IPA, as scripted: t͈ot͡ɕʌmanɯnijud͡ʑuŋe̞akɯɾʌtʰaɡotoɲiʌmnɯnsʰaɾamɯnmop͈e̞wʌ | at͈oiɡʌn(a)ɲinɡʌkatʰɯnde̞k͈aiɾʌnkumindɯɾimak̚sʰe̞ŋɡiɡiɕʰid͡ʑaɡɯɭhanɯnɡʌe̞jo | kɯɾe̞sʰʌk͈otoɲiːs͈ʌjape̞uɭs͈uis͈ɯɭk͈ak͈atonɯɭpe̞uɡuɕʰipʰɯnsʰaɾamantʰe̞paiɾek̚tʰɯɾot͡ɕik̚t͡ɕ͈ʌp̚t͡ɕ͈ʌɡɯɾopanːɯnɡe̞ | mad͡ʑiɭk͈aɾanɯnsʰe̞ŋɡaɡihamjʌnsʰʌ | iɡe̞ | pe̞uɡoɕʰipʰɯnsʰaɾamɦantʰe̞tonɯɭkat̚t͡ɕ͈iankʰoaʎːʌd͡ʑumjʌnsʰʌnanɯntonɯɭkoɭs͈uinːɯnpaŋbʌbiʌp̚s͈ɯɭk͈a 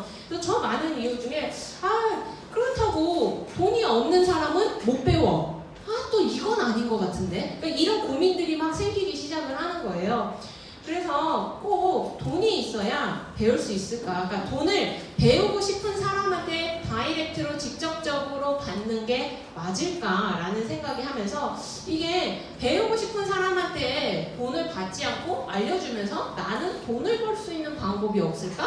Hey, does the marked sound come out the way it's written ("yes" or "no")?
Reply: yes